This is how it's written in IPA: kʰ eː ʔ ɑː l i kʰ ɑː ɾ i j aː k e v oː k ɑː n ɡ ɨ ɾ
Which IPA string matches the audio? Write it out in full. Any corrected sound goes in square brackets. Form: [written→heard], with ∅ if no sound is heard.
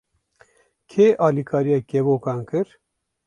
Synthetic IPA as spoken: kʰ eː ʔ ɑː l i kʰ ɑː ɾ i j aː k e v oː k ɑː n [ɡ→k] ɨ ɾ